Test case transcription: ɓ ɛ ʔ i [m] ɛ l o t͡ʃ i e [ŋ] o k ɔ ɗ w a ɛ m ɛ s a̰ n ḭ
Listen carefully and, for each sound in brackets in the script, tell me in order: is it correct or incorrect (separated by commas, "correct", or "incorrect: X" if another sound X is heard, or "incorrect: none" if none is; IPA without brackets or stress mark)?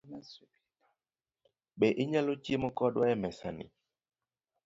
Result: incorrect: ɲ, incorrect: m